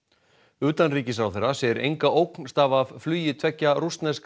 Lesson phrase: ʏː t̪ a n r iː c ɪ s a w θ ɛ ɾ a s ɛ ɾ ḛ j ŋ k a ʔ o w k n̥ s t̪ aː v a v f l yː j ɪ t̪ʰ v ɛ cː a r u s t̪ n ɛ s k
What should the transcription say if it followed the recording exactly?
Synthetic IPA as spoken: ʏː t̪ a n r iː c ɪ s a w θ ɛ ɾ a s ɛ ɾ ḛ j ŋ k a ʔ o w k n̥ s t̪ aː v a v f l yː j ɪ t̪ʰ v ɛ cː a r u s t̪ n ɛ s k